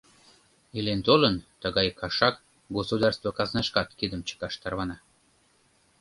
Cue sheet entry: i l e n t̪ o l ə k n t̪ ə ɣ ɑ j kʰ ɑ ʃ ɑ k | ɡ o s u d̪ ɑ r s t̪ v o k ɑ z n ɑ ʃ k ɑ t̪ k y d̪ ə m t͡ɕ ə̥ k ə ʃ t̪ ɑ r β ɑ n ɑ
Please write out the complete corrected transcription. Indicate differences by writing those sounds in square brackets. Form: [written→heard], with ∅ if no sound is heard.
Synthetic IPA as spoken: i l e n t̪ o l ə [k→∅] n t̪ ə ɣ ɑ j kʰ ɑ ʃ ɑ k | ɡ o s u d̪ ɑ r s t̪ v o k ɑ z n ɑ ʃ k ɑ t̪ k [y→i] d̪ ə m t͡ɕ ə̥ k [ə→ɑ] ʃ t̪ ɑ r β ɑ n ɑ